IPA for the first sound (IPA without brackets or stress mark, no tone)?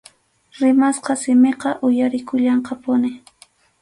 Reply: ɾ